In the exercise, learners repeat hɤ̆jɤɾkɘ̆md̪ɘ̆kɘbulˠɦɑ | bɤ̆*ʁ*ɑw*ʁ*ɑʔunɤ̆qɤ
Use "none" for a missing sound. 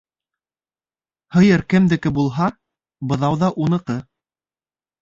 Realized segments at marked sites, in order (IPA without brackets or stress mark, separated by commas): ð, ð